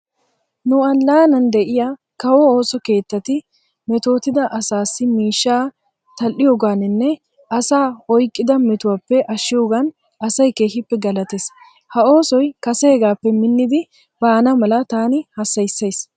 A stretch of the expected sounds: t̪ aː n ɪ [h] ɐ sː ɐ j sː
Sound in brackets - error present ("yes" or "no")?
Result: no